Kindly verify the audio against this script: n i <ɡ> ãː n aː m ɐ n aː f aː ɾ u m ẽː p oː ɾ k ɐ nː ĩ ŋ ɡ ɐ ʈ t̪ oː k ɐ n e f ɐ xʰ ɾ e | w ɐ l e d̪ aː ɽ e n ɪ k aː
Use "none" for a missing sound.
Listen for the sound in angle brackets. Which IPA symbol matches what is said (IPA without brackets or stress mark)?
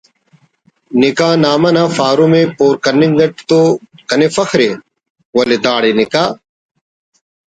k